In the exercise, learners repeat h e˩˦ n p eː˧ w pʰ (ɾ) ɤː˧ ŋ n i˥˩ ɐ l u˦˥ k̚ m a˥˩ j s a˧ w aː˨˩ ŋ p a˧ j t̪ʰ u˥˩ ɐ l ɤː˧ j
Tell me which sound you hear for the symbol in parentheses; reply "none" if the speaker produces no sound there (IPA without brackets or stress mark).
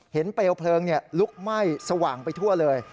l